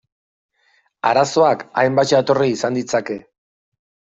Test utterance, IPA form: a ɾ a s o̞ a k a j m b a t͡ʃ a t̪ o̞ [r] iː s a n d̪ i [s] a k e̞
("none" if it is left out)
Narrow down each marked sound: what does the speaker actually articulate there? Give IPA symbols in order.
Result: r, t͡s

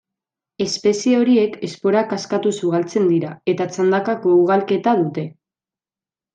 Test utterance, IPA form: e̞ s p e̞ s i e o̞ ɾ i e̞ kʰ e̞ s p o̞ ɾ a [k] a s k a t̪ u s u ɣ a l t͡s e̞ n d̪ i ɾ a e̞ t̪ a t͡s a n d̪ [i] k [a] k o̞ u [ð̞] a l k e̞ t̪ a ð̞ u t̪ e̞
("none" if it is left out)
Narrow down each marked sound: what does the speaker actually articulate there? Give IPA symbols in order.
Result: k, a, a, ɣ̞

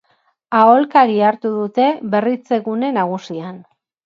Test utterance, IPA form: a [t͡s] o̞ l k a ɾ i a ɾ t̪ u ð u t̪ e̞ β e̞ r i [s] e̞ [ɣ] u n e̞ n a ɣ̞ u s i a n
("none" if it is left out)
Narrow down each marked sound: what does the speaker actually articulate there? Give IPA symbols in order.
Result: none, t͡s, ɣ

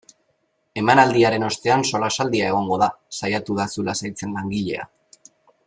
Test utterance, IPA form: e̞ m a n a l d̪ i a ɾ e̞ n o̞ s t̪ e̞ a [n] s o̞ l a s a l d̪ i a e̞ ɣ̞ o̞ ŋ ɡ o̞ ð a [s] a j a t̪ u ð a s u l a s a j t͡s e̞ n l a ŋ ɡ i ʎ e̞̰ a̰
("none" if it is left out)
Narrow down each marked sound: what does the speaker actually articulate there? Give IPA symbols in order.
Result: n, s

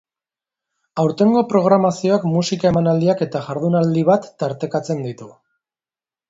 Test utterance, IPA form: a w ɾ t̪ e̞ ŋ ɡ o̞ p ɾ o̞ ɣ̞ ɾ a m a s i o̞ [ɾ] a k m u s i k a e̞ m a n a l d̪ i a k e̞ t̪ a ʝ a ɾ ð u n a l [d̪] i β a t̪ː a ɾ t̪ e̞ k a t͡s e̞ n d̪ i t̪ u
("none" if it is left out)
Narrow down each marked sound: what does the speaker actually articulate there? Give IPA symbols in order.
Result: none, d̪

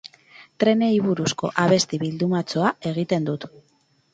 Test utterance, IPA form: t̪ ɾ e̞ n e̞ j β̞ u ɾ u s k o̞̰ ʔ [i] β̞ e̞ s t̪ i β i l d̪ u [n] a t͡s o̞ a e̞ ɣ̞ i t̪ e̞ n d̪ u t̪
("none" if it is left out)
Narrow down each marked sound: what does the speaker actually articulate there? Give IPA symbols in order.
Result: a, m

